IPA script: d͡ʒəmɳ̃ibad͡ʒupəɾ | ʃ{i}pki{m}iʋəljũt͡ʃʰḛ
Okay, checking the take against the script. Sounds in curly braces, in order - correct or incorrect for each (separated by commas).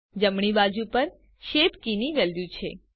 incorrect, incorrect